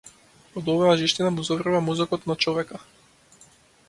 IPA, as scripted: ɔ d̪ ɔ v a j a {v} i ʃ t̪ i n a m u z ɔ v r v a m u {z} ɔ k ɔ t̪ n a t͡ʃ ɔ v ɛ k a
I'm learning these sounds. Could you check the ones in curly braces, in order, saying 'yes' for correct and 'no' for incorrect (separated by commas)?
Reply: no, yes